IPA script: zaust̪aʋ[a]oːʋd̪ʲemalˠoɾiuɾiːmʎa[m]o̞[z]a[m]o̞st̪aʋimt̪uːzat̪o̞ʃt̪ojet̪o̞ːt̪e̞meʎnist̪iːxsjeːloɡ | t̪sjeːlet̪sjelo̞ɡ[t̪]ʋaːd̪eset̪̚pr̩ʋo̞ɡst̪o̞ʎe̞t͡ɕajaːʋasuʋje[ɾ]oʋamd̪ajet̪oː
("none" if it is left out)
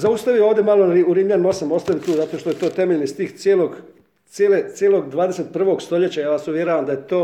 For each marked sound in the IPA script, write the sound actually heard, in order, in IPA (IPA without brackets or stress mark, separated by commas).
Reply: i, n, s, m, d̪, ɾ